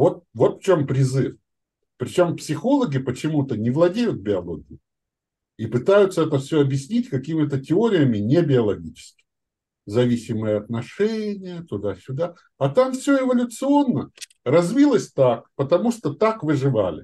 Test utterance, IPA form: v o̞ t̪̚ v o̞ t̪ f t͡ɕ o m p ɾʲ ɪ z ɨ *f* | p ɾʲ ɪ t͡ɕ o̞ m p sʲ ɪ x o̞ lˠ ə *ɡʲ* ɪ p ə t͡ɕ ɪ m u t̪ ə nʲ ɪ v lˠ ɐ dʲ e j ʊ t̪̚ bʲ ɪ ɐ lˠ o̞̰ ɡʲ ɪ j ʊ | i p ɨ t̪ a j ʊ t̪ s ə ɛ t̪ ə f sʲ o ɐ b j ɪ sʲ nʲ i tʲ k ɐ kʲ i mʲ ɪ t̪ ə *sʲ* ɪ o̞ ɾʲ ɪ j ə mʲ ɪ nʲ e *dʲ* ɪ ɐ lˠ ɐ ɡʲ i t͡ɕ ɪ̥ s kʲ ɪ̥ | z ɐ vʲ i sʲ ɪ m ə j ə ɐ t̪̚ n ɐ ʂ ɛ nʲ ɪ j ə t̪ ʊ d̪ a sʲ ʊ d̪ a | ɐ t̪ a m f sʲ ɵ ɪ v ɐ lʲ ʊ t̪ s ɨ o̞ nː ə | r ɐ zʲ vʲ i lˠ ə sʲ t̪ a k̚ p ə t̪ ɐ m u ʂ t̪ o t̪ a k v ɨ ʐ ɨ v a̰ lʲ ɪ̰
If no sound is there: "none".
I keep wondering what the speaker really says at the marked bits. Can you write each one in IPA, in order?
f, ɡʲ, tʲ, bʲ

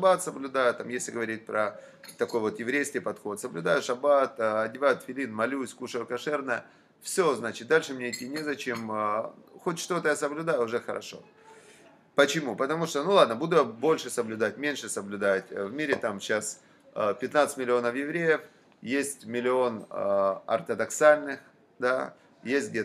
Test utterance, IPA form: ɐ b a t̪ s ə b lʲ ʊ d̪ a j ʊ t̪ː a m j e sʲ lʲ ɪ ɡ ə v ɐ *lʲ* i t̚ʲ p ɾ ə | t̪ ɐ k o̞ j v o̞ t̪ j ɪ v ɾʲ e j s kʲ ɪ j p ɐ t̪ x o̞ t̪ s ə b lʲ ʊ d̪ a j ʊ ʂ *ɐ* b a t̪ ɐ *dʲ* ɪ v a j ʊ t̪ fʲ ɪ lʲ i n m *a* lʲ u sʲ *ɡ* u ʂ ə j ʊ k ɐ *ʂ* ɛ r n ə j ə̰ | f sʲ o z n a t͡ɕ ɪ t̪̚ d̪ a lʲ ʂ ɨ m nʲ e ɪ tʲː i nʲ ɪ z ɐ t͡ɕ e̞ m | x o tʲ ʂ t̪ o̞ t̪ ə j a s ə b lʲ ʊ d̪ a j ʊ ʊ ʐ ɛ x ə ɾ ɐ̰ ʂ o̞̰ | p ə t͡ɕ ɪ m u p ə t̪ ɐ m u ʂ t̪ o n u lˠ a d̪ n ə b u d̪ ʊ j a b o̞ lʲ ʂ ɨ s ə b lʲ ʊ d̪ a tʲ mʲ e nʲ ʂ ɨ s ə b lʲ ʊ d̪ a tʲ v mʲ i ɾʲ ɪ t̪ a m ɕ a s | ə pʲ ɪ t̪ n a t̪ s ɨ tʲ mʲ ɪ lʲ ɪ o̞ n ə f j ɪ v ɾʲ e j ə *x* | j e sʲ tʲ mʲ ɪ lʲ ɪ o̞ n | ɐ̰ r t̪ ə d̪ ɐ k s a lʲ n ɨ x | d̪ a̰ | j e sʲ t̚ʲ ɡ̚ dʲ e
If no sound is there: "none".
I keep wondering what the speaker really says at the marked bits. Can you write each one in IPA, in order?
ɾʲ, ɐ, dʲ, ɐ, k, ʂ, f

